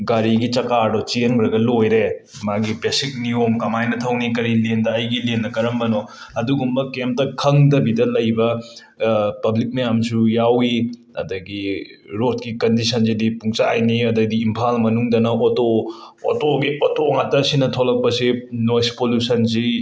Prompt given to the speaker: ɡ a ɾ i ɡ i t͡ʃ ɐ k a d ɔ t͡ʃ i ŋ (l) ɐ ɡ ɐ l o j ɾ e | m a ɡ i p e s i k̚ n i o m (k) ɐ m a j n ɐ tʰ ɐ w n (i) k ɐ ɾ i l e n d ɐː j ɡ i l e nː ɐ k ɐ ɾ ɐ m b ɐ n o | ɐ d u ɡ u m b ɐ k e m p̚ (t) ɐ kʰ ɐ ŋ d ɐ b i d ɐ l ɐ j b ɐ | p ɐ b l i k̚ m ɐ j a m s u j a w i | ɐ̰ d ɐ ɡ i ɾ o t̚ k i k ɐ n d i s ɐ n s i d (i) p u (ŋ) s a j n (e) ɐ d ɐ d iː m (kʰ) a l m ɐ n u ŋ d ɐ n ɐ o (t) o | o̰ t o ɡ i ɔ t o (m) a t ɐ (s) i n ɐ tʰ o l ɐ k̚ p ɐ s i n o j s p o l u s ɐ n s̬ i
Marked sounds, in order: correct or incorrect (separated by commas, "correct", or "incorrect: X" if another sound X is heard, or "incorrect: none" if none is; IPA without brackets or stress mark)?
incorrect: ɾ, correct, correct, correct, correct, correct, incorrect: i, incorrect: pʰ, correct, incorrect: ŋ, correct